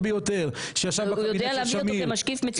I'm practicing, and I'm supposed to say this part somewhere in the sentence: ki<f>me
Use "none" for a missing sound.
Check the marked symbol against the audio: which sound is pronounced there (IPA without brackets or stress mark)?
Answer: f